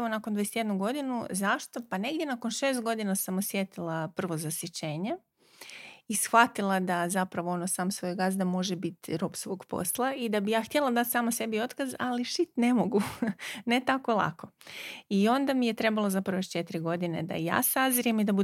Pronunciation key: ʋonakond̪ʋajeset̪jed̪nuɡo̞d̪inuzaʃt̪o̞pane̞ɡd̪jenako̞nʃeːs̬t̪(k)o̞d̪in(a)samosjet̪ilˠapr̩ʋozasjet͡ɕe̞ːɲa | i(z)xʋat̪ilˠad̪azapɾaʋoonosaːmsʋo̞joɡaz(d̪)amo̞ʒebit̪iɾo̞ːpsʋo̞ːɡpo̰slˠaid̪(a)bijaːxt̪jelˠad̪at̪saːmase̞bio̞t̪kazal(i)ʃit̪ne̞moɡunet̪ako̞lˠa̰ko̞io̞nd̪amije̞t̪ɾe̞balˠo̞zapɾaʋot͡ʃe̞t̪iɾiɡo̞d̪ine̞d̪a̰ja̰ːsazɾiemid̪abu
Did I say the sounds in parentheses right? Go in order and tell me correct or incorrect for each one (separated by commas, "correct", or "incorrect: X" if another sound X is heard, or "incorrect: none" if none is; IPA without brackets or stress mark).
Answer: incorrect: ɡ, correct, incorrect: s, correct, correct, correct